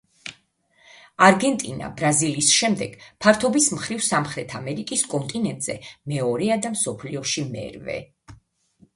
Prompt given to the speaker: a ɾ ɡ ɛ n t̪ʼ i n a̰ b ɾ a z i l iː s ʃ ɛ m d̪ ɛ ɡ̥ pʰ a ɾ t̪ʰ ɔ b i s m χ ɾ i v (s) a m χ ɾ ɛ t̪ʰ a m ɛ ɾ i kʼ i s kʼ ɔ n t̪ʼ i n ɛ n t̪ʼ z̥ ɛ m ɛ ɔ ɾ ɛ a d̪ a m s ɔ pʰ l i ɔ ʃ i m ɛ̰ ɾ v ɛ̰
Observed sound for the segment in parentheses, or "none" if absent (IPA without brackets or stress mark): s